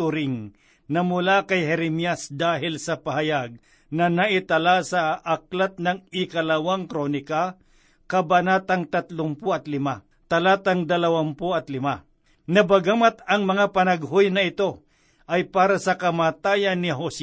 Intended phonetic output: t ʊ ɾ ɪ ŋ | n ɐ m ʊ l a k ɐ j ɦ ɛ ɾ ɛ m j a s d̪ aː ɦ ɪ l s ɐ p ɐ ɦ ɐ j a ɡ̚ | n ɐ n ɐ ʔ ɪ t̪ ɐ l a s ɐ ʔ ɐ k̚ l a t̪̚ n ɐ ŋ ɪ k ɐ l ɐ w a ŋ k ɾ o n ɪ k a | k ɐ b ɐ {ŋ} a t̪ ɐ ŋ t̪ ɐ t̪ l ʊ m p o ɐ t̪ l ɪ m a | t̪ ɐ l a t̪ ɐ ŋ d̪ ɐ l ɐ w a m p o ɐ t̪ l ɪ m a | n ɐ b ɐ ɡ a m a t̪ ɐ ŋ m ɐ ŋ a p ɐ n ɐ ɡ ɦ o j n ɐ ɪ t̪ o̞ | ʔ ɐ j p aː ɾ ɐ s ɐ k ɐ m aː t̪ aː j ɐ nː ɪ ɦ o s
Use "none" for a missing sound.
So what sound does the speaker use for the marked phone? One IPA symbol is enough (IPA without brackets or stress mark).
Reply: n